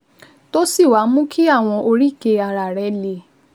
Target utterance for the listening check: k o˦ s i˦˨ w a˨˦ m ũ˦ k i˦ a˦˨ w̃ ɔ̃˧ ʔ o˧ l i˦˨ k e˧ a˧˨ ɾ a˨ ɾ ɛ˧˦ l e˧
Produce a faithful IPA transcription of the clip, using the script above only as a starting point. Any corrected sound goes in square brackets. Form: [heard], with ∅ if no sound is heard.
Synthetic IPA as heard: [t] o˦ s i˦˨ w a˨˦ m ũ˦ k i˦ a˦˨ w̃ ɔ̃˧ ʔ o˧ [ɾ] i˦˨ k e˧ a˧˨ ɾ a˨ ɾ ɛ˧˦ l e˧